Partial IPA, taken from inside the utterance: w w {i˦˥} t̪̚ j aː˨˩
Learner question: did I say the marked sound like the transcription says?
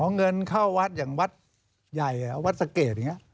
no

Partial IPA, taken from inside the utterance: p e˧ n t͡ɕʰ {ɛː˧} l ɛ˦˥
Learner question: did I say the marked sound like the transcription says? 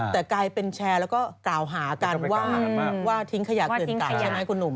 yes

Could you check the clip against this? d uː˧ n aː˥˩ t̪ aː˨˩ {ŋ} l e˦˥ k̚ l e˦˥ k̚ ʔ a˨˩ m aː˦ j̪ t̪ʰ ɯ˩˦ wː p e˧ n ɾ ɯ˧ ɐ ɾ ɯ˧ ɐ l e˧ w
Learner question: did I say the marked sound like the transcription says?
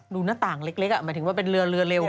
yes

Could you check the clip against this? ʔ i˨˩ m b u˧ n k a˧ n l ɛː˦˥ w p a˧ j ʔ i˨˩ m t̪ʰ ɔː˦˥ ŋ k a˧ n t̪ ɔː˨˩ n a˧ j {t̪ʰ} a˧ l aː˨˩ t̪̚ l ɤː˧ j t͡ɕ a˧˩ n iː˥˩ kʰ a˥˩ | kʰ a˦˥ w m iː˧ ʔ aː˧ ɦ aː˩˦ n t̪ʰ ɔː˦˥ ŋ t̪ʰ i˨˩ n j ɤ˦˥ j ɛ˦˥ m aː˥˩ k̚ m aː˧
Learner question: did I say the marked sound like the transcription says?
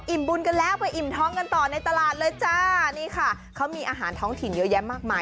no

